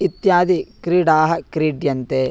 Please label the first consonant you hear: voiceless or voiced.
voiceless